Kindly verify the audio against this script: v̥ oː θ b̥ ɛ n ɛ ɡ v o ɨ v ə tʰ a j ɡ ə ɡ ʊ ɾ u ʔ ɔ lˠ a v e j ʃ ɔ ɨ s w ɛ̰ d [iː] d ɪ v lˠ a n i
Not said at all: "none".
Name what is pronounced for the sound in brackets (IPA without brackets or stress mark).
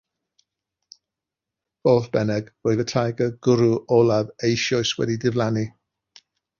i